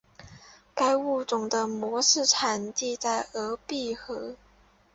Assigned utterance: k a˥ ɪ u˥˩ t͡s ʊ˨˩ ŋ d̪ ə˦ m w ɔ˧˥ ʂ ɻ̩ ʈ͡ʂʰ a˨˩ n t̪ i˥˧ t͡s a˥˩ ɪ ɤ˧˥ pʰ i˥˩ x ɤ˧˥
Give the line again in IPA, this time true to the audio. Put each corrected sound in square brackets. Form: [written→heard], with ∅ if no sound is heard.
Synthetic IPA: k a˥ ɪ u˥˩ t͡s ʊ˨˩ ŋ d̪ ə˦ m w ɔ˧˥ ʂ ɻ̩ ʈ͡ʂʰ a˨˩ n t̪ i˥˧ t͡s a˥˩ ɪ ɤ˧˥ [pʰ→p] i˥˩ x ɤ˧˥